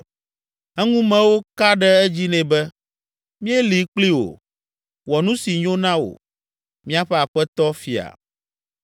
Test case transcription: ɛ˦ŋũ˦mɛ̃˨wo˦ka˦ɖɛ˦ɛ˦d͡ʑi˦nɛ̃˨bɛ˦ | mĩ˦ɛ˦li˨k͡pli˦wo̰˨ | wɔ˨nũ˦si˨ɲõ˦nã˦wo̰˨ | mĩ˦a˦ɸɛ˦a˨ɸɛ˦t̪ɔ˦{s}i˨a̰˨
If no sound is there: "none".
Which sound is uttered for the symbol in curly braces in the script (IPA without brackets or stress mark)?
f